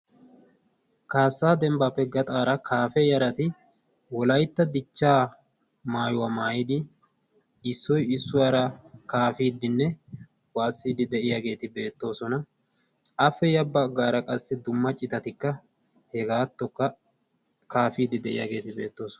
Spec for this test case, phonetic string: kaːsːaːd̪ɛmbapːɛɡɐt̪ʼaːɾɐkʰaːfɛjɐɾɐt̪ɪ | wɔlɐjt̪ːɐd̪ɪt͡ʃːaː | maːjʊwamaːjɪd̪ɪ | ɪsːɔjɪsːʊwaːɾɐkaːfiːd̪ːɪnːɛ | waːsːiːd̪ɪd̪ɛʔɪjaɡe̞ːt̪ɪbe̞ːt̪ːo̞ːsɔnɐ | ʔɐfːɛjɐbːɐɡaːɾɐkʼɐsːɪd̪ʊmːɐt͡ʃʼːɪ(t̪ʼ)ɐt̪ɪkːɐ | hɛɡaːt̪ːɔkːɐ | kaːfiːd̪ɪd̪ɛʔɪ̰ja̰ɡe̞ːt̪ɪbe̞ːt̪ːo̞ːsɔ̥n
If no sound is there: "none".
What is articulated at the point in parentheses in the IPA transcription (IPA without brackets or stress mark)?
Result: t̪